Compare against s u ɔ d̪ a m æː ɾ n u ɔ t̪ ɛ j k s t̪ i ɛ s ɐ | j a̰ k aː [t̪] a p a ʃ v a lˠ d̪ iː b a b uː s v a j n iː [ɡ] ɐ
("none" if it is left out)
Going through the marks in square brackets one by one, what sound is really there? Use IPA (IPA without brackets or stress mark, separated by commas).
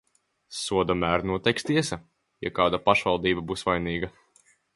d̪, ɡ